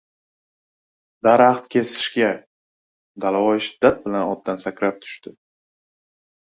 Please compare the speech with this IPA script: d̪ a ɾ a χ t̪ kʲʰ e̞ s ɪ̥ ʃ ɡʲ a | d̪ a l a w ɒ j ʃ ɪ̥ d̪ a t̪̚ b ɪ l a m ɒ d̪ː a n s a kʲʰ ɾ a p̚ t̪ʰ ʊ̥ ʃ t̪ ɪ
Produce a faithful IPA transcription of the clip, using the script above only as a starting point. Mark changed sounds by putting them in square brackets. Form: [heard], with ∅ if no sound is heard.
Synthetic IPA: d̪ a ɾ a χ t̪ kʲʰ e̞ s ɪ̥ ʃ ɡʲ a | d̪ a l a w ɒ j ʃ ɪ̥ [d̪ː] a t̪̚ b ɪ l a [n] ɒ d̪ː a n s a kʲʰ ɾ a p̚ t̪ʰ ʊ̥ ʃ t̪ ɪ